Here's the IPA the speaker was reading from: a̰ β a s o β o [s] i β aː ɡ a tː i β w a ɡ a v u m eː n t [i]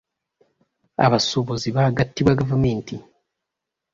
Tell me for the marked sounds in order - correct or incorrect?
incorrect, correct

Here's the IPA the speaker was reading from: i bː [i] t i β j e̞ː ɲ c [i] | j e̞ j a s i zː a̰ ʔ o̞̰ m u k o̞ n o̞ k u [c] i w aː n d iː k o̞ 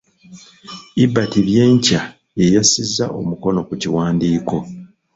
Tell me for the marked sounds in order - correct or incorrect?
incorrect, incorrect, correct

